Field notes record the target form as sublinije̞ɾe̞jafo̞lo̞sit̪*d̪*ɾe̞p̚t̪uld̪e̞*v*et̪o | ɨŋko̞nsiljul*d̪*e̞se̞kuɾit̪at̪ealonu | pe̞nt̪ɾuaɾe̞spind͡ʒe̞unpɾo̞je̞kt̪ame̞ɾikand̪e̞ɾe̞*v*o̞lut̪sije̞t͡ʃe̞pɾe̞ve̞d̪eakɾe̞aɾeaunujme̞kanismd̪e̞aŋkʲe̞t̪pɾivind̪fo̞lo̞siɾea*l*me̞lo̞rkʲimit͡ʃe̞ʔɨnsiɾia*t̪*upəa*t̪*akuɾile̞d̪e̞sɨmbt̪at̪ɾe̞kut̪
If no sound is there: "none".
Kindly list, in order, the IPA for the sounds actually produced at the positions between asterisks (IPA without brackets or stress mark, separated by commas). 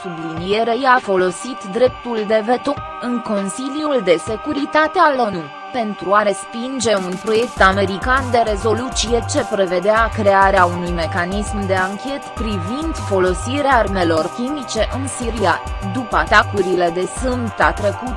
d̪, v, d̪, z, r, d̪, t̪